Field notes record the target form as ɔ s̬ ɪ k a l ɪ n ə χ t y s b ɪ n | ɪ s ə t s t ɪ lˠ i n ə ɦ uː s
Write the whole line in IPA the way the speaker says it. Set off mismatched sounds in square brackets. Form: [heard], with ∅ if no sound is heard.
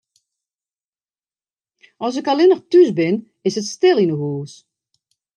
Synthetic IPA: ɔ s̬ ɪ k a l ɪ n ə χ t y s b ɪ n | ɪ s ə t s t ɪ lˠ i n ə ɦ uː s